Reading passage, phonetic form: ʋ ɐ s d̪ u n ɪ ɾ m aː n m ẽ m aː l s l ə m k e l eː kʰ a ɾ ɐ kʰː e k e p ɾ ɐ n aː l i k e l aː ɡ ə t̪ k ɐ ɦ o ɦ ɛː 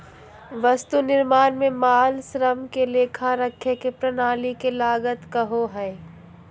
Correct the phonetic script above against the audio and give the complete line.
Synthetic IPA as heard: ʋ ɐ s t̪ u n ɪ ɾ m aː n m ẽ m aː l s ɾ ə m k e l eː kʰ a ɾ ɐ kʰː e k e p ɾ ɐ n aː l i k e l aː ɡ ə t̪ k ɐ ɦ o ɦ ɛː

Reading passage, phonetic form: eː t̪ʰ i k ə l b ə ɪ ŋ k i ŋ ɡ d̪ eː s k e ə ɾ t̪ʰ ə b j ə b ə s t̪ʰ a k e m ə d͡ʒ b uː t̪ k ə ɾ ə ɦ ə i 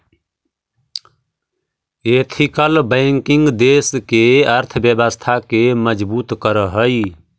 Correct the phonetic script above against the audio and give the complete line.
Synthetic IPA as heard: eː t̪ʰ i k ə l b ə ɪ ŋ k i ŋ ɡ d̪ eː s k e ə ɾ t̪ʰ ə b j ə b ə s t̪ʰ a k e m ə d͡ʒ b uː t̪ k ə ɾ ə ɦ ə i

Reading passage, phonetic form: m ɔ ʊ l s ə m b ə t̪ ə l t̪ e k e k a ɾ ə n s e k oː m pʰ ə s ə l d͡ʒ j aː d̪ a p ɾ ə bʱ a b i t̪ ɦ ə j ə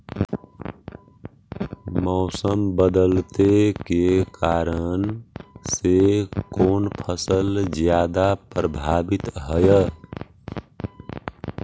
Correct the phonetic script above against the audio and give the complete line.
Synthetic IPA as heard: m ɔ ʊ s ə m b ə d̪ ə l t̪ e k e k a ɾ ə n s e k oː n pʰ ə s ə l d͡ʒ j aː d̪ a p ɾ ə bʱ a b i t̪ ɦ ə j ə

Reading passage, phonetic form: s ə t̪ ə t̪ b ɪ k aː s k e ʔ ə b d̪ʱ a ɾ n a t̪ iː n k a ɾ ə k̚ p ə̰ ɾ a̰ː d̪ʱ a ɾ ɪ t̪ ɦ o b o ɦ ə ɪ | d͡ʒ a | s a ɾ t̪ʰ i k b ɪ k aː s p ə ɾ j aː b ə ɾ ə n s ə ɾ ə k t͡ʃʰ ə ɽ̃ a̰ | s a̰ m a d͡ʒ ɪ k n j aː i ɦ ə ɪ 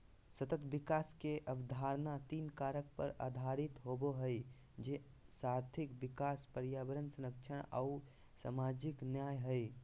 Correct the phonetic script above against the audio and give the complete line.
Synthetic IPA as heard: s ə t̪ ə t̪ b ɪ k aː s k e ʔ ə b d̪ʱ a ɾ n a t̪ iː n k a ɾ ə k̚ p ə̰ ɾ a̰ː d̪ʱ a ɾ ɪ t̪ ɦ o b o ɦ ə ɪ | d͡ʒ e | s a ɾ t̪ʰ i k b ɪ k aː s p ə ɾ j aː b ə ɾ ə n s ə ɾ ə k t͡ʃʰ ə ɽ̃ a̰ | s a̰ m a d͡ʒ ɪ k n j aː j ɦ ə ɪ

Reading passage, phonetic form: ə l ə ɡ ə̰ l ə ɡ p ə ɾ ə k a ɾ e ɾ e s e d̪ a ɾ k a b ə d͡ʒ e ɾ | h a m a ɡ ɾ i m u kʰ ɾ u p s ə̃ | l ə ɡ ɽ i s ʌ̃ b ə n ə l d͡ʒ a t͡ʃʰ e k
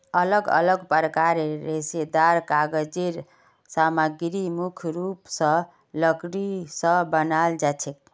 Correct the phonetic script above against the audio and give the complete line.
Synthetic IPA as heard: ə l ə ɡ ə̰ l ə ɡ p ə ɾ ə k a ɾ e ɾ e s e d̪ a ɾ k a ɡ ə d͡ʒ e ɾ | s a m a ɡ ɾ i m u kʰ ɾ u p s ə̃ | l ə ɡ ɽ i s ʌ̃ b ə n a l d͡ʒ a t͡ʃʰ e k

